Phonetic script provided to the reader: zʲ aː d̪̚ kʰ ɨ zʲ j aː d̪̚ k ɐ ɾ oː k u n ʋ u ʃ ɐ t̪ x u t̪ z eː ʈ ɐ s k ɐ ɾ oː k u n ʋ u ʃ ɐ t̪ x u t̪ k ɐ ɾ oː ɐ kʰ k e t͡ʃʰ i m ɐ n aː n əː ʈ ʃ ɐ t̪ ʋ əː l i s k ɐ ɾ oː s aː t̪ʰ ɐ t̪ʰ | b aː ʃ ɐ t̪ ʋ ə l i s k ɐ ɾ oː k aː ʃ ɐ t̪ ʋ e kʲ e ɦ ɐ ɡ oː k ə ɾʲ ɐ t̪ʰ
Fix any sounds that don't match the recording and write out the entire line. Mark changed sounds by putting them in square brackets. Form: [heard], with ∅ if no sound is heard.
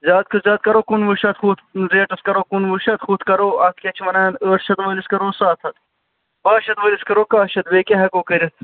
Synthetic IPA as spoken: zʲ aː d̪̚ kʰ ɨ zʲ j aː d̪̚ k ɐ ɾ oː k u n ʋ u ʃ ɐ t̪ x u t̪ z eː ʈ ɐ s k ɐ ɾ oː k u n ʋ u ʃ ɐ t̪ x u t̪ k ɐ ɾ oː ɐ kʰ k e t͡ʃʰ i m ɐ n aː n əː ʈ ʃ ɐ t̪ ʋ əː l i s k ɐ ɾ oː s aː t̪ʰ ɐ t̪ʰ | b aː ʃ ɐ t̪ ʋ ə l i s k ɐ ɾ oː k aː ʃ ɐ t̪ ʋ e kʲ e ɦ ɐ [k] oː k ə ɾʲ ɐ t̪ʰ